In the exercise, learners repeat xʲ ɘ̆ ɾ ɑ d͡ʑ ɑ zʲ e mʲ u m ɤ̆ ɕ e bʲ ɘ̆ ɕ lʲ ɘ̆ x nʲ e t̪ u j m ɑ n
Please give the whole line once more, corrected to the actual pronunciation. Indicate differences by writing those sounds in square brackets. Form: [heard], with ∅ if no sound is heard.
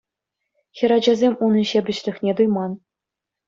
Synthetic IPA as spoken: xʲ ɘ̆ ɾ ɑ d͡ʑ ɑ zʲ e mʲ u [n] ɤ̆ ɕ e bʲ ɘ̆ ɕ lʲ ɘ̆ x nʲ e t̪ u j m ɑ n